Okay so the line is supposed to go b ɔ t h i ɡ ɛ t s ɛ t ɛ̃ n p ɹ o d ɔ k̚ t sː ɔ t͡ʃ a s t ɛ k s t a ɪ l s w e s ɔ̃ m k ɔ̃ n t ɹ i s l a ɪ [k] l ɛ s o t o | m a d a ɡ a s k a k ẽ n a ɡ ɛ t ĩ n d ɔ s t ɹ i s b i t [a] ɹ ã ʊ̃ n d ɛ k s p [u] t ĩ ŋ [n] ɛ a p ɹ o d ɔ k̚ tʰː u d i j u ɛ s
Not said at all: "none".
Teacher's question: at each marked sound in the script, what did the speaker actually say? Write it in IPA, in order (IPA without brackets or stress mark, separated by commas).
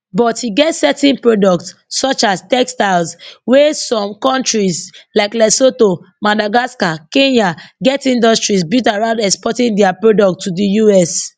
k, a, ɔ, d